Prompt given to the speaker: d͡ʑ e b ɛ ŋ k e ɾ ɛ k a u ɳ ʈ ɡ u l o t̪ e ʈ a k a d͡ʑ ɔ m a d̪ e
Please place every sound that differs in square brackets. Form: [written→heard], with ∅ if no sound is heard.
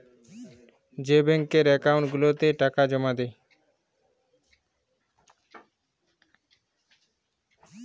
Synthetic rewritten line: d͡ʑ e b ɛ ŋ k e ɾ ɛ k a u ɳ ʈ ɡ u l o t̪ e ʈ a k a d͡ʑ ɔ m a d̪ e